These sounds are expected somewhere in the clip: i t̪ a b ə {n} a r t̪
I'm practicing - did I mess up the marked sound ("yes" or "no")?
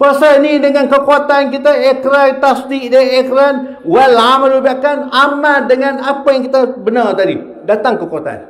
no